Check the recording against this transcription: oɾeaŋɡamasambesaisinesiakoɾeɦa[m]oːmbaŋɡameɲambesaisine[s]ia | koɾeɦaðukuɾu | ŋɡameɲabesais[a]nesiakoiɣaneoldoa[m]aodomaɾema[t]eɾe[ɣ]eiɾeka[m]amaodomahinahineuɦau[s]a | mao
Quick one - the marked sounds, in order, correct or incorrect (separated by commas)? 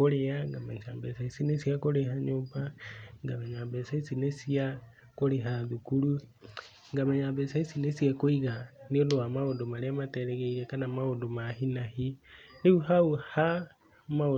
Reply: incorrect, correct, incorrect, correct, correct, correct, incorrect, incorrect